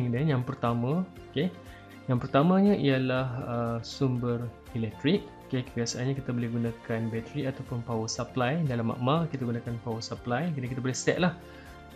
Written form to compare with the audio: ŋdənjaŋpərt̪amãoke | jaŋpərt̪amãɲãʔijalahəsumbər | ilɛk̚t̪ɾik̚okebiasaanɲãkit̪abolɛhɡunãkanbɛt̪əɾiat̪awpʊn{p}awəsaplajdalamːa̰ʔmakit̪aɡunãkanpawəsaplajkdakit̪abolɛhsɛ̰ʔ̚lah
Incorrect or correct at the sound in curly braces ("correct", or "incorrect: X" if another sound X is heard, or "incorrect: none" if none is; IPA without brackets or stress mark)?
correct